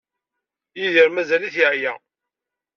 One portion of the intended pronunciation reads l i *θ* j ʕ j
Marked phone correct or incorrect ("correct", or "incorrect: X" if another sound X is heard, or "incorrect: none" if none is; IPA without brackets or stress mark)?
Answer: correct